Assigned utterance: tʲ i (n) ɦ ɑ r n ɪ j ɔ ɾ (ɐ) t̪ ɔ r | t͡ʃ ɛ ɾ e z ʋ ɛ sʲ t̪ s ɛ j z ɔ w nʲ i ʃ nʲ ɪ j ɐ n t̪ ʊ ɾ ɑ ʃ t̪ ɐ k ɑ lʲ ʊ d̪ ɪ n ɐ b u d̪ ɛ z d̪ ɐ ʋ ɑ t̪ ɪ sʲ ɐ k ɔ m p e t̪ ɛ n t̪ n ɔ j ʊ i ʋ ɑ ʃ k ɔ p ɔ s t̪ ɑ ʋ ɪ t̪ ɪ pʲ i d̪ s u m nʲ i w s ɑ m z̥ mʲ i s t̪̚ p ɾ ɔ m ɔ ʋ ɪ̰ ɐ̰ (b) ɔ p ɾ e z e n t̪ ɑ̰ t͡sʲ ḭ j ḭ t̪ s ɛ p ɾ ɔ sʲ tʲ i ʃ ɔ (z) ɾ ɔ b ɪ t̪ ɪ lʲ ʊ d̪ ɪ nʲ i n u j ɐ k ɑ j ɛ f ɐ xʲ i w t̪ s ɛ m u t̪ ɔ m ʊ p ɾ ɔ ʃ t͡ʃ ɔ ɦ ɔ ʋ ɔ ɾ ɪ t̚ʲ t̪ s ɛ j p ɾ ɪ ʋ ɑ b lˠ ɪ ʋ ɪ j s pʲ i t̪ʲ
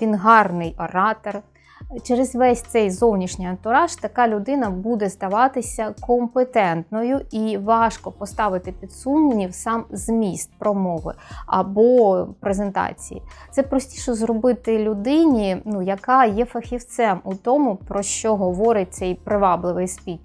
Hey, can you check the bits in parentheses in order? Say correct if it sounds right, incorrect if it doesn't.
correct, incorrect: ɑ, correct, correct

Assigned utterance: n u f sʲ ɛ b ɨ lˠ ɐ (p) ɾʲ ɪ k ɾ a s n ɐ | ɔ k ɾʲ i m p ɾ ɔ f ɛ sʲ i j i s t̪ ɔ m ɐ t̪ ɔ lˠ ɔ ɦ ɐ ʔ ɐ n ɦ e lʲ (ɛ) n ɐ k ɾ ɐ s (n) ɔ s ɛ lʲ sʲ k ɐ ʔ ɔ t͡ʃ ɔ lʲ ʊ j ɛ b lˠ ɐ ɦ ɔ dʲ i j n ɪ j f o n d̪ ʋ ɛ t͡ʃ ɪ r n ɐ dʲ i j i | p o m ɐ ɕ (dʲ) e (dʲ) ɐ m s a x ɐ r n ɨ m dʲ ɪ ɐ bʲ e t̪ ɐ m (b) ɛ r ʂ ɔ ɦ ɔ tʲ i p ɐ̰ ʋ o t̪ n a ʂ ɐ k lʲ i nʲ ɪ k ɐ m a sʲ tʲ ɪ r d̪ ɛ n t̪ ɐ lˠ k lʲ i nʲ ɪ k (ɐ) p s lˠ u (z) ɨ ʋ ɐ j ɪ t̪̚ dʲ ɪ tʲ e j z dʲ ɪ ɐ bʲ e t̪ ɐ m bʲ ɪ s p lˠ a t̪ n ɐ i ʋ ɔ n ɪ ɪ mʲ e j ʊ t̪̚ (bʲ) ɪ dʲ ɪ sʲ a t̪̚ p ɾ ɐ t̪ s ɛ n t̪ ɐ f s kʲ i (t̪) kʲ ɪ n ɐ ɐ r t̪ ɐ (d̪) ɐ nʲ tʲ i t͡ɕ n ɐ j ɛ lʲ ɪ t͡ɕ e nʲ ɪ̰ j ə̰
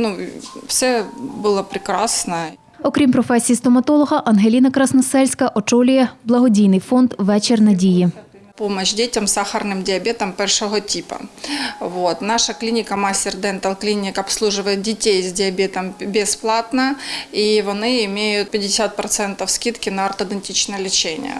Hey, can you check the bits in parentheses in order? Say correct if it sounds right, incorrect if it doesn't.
correct, incorrect: i, correct, correct, incorrect: tʲ, incorrect: p, correct, incorrect: ʐ, incorrect: pʲ, correct, correct

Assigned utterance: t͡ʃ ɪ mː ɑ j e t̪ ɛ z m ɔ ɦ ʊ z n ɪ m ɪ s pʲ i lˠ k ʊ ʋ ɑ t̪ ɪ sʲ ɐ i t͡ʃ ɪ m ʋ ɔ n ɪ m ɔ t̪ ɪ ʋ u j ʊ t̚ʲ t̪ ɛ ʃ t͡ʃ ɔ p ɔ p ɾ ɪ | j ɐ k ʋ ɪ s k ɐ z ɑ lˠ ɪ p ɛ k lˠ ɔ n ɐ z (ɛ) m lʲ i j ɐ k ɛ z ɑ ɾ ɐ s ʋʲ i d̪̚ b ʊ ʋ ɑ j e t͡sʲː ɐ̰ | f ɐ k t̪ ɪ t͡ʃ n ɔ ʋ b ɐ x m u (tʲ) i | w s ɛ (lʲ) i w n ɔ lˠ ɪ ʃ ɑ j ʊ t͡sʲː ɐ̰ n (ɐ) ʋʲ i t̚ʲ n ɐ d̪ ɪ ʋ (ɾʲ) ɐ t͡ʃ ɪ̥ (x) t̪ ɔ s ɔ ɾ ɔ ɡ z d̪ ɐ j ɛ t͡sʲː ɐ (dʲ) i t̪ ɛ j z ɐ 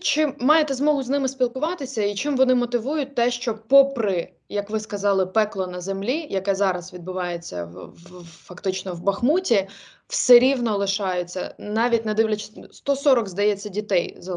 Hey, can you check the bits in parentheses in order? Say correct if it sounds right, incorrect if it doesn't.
incorrect: e, correct, incorrect: ɾʲ, incorrect: ɑ, incorrect: lʲ, incorrect: s, correct

